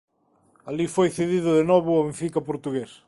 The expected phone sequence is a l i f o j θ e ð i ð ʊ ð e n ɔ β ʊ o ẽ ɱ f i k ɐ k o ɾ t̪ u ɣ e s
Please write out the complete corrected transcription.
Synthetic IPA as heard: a l i f o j θ e ð i ð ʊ ð e n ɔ β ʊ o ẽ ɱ f i k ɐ p o ɾ t̪ u ɣ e s